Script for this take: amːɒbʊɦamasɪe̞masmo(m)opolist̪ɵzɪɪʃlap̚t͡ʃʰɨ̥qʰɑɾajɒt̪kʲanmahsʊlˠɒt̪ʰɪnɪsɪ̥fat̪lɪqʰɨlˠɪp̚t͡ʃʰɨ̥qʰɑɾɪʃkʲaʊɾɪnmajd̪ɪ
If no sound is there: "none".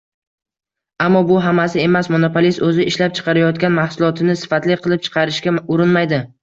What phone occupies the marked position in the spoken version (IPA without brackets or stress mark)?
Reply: n